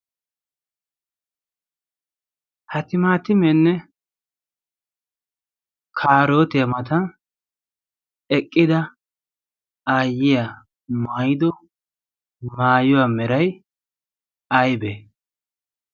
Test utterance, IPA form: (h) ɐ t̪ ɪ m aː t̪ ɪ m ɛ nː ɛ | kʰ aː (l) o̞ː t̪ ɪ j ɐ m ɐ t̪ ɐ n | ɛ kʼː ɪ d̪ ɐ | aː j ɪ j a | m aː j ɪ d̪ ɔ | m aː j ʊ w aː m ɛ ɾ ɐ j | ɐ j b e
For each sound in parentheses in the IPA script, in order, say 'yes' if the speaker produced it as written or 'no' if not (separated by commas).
yes, no